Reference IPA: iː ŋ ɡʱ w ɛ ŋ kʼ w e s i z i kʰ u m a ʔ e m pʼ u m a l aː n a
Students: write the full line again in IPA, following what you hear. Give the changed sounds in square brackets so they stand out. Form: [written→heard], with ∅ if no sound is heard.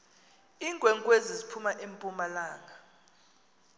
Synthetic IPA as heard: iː ŋ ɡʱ w ɛ ŋ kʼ w e [s→z] i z i [kʰ→pʰ] u m a ʔ e m pʼ u m a l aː [n→ŋ] a